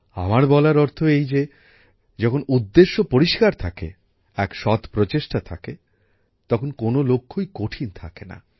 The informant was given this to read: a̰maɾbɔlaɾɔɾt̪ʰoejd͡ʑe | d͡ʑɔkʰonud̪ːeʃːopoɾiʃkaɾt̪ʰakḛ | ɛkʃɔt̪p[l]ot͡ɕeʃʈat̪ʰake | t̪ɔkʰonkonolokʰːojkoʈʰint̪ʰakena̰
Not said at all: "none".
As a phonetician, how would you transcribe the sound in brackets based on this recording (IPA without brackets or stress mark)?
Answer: ɾ